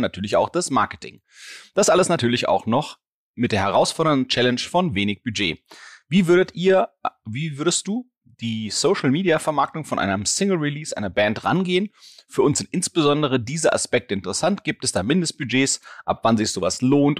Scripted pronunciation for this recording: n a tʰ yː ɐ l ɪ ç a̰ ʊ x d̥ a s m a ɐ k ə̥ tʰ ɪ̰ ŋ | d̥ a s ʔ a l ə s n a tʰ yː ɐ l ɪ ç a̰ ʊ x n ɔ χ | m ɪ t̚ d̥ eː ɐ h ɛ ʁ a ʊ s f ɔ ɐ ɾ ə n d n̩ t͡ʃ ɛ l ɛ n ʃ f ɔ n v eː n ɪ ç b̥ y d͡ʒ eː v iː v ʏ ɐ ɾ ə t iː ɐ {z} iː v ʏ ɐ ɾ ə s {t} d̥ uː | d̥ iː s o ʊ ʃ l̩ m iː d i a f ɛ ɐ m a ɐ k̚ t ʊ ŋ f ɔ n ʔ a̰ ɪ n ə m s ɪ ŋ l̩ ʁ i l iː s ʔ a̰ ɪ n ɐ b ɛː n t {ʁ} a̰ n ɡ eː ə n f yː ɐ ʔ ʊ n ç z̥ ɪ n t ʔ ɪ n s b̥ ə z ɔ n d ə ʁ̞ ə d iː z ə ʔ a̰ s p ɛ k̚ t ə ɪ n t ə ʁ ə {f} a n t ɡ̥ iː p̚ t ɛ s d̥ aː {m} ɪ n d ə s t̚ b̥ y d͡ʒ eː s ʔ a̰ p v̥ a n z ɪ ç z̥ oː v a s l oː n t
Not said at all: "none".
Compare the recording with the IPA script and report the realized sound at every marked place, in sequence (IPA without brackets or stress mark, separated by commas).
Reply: v, t, ʁ, s, m